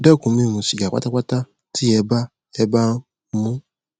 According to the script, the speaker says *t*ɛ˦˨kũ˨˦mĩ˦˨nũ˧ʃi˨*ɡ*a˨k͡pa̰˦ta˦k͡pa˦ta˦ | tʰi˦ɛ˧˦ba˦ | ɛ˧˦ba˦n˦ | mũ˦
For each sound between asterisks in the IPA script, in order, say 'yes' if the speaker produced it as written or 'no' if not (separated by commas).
no, yes